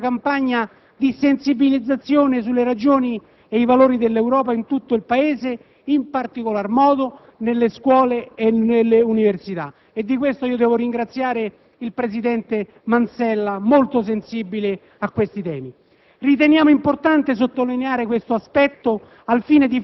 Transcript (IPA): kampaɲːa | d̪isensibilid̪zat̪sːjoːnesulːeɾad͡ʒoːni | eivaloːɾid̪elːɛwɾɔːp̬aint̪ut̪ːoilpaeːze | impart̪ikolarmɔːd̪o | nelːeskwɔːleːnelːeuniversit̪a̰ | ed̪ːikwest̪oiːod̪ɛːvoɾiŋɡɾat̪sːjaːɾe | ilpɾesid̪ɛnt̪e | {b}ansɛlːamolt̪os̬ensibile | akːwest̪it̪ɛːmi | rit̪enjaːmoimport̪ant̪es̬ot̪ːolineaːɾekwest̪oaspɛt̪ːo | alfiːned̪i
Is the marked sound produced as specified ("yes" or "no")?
no